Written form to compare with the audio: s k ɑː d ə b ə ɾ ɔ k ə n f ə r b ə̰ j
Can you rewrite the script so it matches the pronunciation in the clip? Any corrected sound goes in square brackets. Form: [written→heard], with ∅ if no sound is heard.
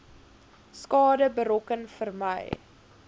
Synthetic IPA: s k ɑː d ə b ə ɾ ɔ k ə n f ə r [b→m] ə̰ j